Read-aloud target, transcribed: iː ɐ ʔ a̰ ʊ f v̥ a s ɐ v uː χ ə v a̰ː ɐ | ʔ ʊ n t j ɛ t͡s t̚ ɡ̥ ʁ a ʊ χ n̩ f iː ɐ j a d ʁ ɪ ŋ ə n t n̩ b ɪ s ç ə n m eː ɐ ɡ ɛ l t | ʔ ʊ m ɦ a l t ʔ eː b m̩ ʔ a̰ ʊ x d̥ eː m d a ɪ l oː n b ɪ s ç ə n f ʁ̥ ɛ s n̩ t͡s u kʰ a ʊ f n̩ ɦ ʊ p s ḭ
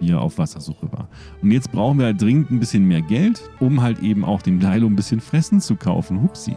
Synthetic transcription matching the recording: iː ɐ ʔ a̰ ʊ f v̥ a s ɐ z uː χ ə v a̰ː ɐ | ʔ ʊ n t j ɛ t͡s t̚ b̥ ʁ a ʊ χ n̩ v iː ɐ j a d ʁ ɪ ŋ ə n t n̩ b ɪ s ç ə n m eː ɐ ɡ ɛ l t | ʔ ʊ m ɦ a l t ʔ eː b m̩ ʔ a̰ ʊ x d̥ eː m d a ɪ l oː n b ɪ s ç ə n f ʁ̥ ɛ s n̩ t͡s u kʰ a ʊ f n̩ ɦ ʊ p s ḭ